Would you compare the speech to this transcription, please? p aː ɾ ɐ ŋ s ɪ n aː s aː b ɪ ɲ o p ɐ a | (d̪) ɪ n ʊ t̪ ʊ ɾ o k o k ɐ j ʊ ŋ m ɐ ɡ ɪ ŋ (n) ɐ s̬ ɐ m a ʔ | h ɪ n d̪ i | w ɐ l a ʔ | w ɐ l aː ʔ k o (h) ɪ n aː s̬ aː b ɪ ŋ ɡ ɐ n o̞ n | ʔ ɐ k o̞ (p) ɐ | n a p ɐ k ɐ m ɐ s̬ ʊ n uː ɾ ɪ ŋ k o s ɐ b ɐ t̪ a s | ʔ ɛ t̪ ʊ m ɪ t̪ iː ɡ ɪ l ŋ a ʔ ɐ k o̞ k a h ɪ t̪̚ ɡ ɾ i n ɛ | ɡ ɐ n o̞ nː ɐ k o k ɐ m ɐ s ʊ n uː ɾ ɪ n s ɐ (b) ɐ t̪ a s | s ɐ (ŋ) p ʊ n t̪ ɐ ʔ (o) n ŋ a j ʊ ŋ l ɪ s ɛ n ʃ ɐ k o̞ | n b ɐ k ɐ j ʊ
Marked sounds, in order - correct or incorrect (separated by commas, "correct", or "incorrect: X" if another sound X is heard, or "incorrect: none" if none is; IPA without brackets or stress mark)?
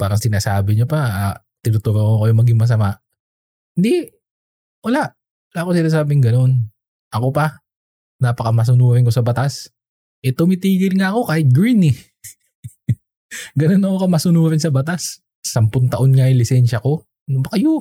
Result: incorrect: t̪, incorrect: m, incorrect: s, correct, correct, incorrect: m, correct